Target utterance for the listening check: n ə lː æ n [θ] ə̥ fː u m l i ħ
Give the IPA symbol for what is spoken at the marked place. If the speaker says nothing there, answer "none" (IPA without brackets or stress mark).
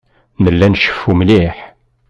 ʃ